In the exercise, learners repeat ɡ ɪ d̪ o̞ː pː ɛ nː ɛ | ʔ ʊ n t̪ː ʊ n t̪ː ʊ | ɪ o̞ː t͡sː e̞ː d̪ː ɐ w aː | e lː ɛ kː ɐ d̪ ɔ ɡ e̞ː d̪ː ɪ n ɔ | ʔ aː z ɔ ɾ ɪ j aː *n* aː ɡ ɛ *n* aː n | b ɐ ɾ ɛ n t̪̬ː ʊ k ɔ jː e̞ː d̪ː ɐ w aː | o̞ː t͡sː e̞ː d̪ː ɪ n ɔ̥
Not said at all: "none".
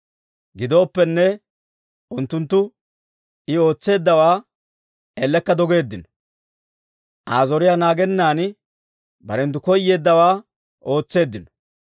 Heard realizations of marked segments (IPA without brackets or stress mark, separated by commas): n, nː